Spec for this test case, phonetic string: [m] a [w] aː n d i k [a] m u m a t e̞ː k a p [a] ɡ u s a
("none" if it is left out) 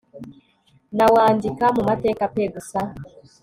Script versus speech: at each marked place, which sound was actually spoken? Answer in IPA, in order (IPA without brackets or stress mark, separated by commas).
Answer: n, w, a, e